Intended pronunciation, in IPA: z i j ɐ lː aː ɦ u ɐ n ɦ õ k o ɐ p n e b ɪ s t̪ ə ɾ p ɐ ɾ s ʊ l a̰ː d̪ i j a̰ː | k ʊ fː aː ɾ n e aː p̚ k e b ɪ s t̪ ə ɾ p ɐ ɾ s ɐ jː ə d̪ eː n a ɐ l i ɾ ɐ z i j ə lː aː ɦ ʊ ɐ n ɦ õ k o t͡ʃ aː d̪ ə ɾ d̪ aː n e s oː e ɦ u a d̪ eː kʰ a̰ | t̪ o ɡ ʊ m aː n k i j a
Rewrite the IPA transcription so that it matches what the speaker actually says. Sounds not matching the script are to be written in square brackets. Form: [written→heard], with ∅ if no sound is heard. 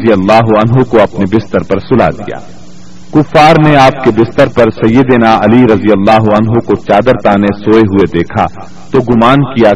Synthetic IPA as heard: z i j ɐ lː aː ɦ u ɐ n ɦ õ k o ɐ p n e b ɪ s t̪ ə ɾ p ɐ ɾ s ʊ l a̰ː d̪ i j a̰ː | k ʊ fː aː ɾ n e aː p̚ k e b ɪ s t̪ ə ɾ p ɐ ɾ s ɐ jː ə d̪ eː n a ɐ l i ɾ ɐ z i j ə lː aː ɦ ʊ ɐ n ɦ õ k o t͡ʃ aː d̪ ə ɾ [d̪→t̪] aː n e s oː e ɦ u [a→e] d̪ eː kʰ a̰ | t̪ o ɡ ʊ m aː n k i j a